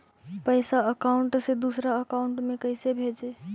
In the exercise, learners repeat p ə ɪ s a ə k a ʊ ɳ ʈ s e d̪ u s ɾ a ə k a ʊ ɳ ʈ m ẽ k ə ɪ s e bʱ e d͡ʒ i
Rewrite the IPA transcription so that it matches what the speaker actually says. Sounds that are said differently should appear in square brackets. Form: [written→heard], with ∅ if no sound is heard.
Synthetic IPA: p ə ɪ s a ə k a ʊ ɳ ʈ s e d̪ u s ɾ a ə k a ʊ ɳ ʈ m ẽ k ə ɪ s e bʱ e d͡ʒ [i→e]